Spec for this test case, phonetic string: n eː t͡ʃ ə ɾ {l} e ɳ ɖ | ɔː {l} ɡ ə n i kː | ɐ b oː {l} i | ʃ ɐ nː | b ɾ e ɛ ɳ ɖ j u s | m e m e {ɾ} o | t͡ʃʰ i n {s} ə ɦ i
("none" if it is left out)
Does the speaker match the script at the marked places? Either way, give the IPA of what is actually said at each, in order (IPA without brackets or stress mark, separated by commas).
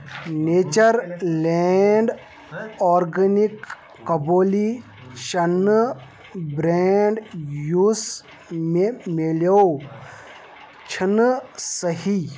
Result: l, ɾ, l, l, s